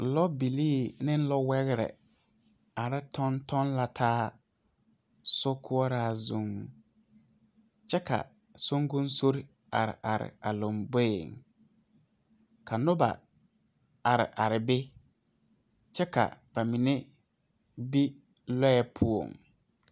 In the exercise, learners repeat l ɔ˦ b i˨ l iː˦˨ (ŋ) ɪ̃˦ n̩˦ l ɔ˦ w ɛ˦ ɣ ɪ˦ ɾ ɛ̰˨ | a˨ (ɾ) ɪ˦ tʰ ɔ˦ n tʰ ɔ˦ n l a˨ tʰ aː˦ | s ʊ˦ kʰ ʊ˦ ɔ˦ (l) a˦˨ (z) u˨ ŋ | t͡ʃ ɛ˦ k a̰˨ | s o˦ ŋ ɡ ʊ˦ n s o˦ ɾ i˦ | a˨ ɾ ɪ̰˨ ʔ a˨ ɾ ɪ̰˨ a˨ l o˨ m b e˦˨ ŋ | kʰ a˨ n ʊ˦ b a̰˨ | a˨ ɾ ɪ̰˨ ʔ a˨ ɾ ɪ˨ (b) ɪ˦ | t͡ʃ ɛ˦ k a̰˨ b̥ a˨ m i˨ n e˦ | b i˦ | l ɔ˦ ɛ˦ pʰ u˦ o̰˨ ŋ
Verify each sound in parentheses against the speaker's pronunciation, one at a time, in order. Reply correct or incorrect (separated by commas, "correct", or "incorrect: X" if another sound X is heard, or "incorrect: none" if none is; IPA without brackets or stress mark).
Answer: incorrect: n, correct, incorrect: ɾ, correct, correct